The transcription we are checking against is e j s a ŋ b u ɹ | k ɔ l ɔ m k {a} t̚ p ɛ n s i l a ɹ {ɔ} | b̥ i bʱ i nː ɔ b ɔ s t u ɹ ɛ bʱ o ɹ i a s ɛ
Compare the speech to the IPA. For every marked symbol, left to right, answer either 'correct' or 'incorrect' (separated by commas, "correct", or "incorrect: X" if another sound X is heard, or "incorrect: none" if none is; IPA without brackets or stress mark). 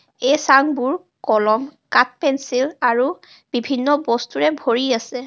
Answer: correct, incorrect: u